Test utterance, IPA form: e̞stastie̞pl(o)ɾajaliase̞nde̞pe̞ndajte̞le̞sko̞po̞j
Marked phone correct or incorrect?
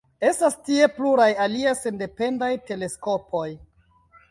incorrect: u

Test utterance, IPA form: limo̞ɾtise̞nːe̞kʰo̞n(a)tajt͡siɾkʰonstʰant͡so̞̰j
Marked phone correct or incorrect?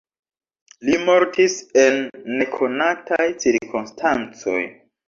correct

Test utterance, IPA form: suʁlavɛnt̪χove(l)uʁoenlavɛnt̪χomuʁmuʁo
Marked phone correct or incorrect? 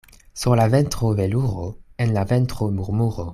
correct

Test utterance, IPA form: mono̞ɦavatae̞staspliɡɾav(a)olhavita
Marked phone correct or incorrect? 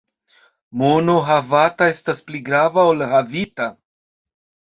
correct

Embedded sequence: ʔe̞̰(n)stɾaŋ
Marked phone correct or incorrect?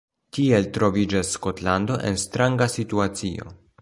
correct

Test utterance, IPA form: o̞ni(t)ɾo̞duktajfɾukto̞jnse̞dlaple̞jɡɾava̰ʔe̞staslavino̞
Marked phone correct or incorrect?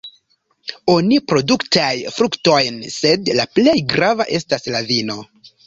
incorrect: p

